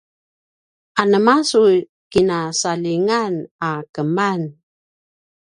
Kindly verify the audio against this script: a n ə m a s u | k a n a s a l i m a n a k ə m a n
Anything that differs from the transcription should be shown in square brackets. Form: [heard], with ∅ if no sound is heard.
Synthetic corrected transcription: a n ə m a s u | k [i] n a s a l i [ŋ] a n a k ə m a n

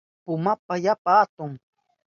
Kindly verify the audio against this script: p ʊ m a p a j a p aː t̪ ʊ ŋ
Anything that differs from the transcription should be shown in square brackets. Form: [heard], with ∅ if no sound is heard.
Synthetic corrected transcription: p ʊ m a p a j a p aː t̪ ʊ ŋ

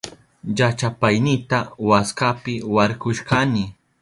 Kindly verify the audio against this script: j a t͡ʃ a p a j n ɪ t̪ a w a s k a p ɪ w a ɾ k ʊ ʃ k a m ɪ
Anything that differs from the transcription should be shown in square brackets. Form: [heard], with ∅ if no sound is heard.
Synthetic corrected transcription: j a t͡ʃ a p a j n ɪ t̪ a w a s k a p ɪ w a ɾ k ʊ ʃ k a [n] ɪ

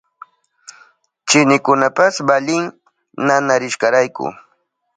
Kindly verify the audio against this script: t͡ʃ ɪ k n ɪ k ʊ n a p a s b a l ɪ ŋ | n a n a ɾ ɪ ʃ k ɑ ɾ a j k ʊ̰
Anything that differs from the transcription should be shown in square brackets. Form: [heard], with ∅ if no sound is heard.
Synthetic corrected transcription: t͡ʃ ɪ [∅] n ɪ k ʊ n a p a s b a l ɪ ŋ | n a n a ɾ ɪ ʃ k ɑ ɾ a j k ʊ̰

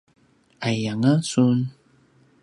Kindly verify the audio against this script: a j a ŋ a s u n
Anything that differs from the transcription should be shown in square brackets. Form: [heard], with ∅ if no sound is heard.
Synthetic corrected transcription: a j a ŋ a s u n

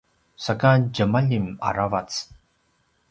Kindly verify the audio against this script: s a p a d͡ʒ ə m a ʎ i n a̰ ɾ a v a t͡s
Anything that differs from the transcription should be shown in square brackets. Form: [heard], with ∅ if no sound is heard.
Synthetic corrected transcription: s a [k] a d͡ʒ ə m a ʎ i [m] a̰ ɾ a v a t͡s

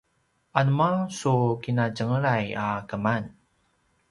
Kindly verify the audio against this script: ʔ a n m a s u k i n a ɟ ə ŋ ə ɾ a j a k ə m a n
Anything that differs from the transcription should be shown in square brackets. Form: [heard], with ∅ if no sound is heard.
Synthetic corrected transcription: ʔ a n m a s u k i n a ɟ ə ŋ ə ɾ a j a k ə m a n

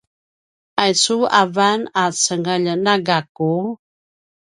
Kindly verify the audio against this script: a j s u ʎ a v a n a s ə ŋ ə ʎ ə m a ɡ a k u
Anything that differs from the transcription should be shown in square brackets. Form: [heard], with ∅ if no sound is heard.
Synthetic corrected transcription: a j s u [∅] a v a n a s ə ŋ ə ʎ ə [n] a ɡ a k u

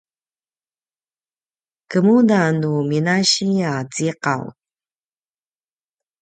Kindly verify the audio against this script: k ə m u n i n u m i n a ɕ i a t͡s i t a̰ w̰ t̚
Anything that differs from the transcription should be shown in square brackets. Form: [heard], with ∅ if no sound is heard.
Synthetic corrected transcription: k ə m u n [a] n u m i n a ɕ i a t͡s i [q] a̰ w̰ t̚

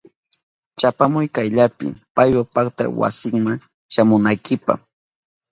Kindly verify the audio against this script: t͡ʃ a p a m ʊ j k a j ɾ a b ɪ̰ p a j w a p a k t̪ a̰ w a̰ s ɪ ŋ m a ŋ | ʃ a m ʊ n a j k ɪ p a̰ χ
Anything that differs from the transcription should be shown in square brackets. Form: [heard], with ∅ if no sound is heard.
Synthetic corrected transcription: t͡ʃ a p a m ʊ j k a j [ʎ] a [p] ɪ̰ p a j w a p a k t̪ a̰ w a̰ s ɪ ŋ m a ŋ | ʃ a m ʊ n a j k ɪ p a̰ χ

